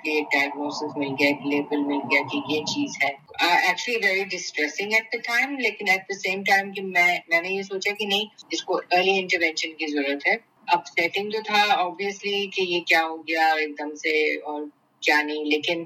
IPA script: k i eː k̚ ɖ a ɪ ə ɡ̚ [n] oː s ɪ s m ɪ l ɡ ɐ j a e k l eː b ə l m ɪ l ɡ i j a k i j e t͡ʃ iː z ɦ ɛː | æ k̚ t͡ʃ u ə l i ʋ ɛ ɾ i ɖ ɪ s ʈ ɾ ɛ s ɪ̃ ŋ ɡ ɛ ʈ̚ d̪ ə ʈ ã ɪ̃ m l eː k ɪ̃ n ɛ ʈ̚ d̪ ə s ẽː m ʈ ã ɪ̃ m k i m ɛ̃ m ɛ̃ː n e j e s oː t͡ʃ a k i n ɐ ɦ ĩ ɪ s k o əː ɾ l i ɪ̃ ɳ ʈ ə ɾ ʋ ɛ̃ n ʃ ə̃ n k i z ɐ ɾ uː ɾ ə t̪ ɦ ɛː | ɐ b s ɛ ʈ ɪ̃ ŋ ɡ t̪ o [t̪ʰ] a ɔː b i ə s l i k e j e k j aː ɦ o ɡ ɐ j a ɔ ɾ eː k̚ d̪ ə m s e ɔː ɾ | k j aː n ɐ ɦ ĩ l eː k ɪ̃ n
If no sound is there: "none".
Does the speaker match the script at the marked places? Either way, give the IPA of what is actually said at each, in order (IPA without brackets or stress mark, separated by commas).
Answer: n, t̪ʰ